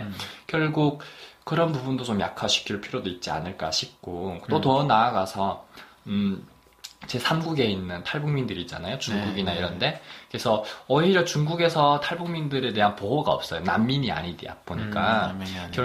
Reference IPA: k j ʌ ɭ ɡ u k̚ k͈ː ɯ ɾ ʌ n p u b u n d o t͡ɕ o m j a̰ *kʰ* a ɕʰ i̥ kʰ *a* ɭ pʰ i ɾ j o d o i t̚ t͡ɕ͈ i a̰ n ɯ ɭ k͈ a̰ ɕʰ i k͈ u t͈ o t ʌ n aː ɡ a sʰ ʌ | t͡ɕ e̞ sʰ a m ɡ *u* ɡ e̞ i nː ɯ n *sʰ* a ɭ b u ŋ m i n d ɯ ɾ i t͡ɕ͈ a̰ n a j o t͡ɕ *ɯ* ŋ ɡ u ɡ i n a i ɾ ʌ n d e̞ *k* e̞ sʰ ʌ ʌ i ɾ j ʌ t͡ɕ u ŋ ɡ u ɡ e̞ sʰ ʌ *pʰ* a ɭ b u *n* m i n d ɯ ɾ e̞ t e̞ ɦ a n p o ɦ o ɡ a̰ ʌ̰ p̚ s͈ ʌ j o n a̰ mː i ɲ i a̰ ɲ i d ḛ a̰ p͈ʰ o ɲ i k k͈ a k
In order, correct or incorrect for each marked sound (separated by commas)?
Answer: correct, incorrect, correct, incorrect, incorrect, correct, incorrect, incorrect